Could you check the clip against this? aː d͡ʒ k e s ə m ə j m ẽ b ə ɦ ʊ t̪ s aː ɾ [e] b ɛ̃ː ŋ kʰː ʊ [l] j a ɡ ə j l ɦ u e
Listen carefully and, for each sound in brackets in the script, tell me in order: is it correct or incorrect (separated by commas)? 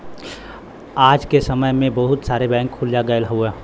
correct, correct